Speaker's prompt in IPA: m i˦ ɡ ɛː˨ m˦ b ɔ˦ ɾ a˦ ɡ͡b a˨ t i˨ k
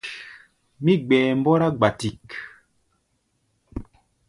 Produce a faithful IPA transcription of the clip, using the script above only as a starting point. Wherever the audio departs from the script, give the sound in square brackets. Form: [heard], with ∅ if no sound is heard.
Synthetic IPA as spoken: m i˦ [ɡ͡b] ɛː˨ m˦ b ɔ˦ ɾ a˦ ɡ͡b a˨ t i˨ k